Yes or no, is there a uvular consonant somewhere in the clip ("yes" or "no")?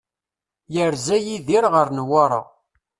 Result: yes